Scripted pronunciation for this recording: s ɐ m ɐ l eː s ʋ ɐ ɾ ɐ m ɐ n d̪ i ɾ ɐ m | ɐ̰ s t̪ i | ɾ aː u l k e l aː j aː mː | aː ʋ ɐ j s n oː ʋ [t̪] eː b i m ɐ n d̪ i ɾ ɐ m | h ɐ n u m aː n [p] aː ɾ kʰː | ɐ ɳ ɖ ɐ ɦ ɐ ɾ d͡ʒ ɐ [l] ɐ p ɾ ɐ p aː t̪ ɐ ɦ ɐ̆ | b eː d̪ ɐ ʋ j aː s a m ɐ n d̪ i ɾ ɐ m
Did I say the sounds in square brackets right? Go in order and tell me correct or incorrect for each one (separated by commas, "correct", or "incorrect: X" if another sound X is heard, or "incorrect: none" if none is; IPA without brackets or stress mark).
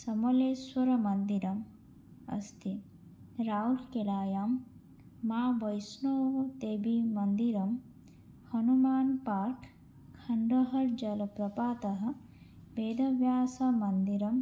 correct, correct, correct